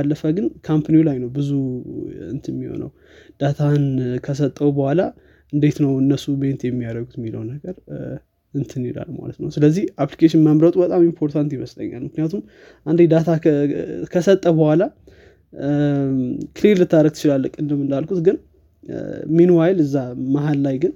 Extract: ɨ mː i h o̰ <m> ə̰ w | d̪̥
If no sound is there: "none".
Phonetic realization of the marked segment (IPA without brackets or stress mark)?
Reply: n